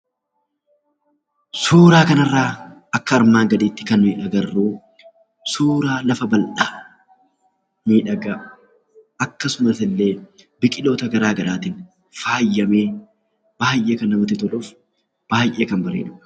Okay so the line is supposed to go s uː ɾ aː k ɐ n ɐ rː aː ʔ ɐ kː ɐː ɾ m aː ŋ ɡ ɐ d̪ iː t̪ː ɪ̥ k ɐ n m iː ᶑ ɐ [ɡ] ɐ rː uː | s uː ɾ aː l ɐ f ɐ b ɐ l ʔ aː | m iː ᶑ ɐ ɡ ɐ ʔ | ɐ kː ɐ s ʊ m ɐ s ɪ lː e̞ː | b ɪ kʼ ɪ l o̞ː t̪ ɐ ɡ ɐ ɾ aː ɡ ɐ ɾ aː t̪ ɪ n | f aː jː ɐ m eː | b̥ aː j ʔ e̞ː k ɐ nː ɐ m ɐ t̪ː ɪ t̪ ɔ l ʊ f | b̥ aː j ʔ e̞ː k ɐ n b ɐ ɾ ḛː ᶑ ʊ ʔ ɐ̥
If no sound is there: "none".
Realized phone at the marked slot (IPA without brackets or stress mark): ɡ